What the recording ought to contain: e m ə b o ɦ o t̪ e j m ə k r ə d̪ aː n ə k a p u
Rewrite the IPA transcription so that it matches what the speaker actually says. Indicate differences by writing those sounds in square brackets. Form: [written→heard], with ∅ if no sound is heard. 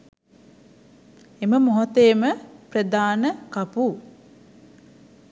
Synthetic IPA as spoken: e m ə [b→m] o ɦ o t̪ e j m ə [k→p] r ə d̪ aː n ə k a p u

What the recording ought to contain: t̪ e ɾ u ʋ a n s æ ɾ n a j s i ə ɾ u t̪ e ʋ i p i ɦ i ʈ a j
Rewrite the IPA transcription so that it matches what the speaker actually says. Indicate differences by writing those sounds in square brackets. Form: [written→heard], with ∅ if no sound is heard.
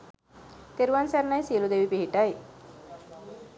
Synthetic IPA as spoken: t̪ e ɾ u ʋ a n s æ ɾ n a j s i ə [ɾ→l] u [t̪→d̪] e ʋ i p i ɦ i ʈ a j

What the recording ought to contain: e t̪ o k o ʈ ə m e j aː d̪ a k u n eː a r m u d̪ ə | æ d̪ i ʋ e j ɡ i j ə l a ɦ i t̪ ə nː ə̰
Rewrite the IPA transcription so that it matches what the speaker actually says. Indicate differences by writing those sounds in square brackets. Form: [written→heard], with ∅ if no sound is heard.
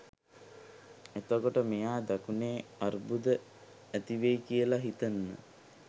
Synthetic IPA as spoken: e t̪ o k o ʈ ə m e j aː d̪ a k u n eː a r [m→b] u d̪ ə | æ [d̪→t̪] i ʋ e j [ɡ→k] i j ə l a ɦ i t̪ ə nː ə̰

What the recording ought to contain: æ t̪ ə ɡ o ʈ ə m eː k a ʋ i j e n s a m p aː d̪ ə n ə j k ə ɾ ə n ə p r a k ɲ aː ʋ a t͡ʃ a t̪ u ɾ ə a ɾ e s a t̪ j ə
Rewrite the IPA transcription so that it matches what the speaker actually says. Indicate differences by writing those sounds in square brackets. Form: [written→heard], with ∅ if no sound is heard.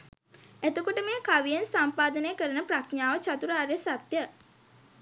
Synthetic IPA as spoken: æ t̪ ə [ɡ→k] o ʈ ə m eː k a ʋ i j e n s a m p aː d̪ ə n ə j k ə ɾ ə n ə p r a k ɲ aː ʋ [a→ə] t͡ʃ a t̪ u ɾ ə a ɾ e s a t̪ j ə

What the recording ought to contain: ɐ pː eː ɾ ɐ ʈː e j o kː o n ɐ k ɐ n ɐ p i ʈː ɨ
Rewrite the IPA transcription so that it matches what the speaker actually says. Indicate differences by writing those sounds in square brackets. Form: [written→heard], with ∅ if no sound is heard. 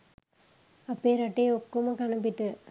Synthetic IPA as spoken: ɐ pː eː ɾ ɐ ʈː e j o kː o [n→m] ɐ k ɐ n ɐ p i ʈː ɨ

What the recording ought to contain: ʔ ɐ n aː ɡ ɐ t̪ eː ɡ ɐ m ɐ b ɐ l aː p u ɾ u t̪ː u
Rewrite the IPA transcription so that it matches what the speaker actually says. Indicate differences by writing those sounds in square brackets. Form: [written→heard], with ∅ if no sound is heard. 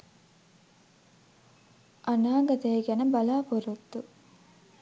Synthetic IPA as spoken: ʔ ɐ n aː ɡ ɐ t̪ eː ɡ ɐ [m→n] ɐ b ɐ l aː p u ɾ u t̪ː u

